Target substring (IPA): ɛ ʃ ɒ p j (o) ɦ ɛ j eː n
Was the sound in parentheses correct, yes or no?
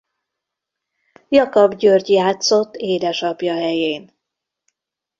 no